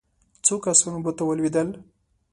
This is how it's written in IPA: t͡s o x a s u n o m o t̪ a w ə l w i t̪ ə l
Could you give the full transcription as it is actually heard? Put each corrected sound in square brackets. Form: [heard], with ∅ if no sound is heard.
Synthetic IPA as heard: t͡s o [k] a s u n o [b] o t̪ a w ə l w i [d̪] ə l